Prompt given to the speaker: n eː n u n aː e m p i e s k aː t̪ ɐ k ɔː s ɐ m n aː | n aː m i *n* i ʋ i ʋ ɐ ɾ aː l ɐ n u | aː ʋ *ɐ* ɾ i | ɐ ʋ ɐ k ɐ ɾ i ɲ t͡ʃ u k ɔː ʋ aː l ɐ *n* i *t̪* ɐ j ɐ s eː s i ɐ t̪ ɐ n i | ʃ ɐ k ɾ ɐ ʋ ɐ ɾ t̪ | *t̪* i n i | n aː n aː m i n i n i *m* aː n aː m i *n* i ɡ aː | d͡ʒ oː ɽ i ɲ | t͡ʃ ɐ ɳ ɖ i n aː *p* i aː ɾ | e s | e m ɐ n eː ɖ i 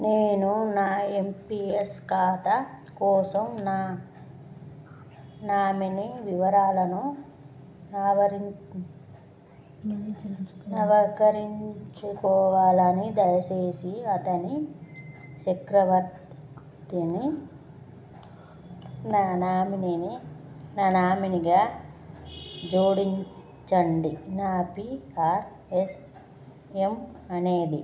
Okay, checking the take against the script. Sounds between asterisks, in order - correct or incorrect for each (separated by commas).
correct, correct, correct, incorrect, correct, incorrect, correct, correct